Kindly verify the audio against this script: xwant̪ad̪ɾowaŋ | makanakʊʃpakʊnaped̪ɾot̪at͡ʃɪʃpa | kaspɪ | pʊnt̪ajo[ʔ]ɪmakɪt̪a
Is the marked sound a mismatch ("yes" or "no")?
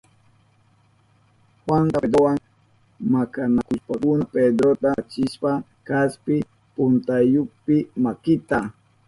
yes